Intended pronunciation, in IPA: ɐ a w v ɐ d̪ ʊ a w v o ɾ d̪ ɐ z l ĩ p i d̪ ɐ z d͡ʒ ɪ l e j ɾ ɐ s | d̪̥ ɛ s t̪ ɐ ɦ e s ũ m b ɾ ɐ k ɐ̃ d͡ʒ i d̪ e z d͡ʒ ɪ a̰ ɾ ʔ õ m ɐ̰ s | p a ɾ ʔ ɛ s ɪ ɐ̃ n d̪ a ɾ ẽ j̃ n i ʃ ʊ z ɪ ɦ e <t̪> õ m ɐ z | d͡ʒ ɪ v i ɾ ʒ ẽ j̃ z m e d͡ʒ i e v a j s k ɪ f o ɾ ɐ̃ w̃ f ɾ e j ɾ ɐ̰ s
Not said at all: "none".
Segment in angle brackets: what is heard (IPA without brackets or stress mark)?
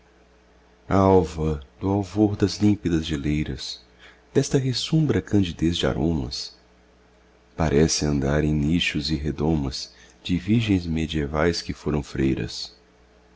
d̪